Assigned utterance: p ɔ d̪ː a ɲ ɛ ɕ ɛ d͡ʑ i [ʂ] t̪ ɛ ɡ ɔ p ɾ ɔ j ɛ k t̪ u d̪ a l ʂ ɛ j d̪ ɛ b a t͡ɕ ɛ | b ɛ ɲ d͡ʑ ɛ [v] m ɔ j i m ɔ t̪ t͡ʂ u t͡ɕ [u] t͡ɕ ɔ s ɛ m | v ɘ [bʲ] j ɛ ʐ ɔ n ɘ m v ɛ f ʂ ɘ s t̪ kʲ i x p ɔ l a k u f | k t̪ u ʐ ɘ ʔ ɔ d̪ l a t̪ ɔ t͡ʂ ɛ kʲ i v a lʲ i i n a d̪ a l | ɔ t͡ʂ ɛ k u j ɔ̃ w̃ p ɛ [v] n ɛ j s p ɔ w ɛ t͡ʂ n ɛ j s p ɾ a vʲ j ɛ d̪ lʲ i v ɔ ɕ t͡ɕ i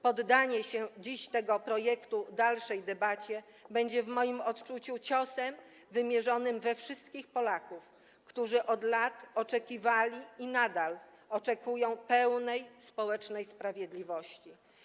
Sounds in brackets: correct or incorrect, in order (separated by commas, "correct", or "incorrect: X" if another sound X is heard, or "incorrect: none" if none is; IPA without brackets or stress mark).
incorrect: ɕ, correct, correct, incorrect: mʲ, incorrect: w